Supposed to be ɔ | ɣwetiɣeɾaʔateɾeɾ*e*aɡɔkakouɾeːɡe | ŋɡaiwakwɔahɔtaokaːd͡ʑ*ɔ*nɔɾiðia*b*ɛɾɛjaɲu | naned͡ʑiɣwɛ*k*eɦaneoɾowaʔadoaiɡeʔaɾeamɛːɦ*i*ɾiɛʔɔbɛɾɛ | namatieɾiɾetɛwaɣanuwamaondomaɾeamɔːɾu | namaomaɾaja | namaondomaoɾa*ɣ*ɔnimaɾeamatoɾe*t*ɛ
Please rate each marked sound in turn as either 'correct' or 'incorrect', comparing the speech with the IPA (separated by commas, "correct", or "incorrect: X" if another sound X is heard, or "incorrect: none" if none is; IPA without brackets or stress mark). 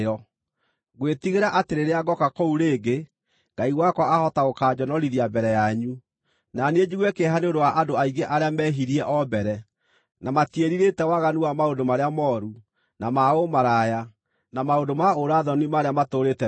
correct, correct, correct, correct, correct, incorrect: ð, correct